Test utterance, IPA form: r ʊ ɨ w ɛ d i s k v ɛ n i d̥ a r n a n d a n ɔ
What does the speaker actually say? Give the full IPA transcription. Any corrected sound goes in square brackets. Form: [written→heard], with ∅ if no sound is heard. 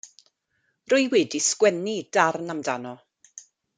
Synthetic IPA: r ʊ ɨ w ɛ d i s k [v→w] ɛ n i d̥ a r n a [n→m] d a n ɔ